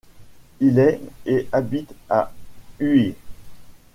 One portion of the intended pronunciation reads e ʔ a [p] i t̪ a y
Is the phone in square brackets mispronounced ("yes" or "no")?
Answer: yes